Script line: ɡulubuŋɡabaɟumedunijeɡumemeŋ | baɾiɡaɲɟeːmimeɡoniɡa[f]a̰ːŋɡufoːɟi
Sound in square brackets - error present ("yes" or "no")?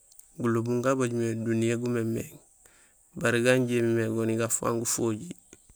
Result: no